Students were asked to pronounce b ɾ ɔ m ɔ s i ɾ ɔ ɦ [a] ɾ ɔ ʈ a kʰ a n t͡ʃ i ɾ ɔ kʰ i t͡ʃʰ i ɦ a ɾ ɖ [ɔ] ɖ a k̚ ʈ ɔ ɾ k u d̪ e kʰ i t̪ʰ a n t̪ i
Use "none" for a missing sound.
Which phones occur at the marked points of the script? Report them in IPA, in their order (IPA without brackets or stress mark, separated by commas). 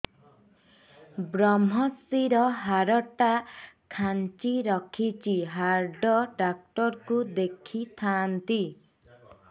a, ɔ